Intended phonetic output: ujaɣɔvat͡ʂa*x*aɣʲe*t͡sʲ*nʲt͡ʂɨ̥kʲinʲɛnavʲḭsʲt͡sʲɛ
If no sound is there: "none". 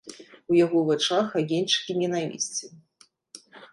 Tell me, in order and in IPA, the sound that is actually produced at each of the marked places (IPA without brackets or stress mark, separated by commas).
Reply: x, none